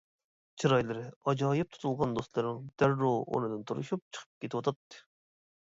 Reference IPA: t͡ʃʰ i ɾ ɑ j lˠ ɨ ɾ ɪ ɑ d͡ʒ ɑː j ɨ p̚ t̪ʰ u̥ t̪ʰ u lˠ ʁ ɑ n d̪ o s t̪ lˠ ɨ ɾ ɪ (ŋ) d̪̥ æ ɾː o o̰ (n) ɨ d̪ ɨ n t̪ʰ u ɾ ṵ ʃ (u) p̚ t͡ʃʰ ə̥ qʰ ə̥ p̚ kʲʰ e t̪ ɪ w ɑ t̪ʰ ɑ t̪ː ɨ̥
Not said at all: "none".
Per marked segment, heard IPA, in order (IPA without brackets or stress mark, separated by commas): ŋ, n, u